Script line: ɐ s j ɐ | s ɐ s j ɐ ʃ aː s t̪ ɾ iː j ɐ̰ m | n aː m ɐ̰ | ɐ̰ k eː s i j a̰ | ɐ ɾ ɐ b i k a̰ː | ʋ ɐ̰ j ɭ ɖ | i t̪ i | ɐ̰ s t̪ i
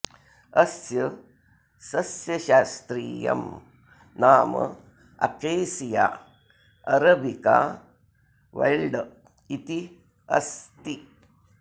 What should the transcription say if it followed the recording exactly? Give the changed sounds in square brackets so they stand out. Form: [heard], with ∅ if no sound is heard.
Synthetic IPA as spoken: ɐ s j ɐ | s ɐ s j ɐ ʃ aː s t̪ ɾ iː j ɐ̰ m | n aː m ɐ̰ | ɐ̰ k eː s i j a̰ | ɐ ɾ ɐ b i k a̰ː | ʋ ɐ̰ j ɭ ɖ | i t̪ i | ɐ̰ s t̪ i